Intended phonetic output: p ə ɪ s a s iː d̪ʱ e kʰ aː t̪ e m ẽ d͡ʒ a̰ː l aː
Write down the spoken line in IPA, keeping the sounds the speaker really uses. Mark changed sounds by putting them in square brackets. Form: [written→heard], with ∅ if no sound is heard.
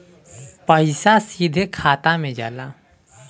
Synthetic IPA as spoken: p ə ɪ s a s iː d̪ʱ e kʰ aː t̪ [e→a] m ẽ d͡ʒ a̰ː l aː